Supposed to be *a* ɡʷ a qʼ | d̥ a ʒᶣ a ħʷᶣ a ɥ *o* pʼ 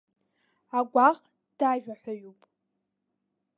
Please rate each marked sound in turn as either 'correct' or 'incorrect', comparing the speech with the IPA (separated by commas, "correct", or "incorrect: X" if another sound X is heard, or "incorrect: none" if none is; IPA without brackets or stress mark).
correct, incorrect: u